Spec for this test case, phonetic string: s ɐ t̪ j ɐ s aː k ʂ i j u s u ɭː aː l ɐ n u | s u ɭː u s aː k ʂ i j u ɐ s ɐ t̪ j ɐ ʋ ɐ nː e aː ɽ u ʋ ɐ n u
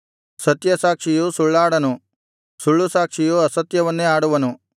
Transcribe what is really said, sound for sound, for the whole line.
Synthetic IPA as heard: s ɐ t̪ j ɐ s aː k ʂ i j u s u ɭː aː ɽ ɐ n u | s u ɭː u s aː k ʂ i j u ɐ s ɐ t̪ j ɐ ʋ ɐ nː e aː ɽ u ʋ ɐ n u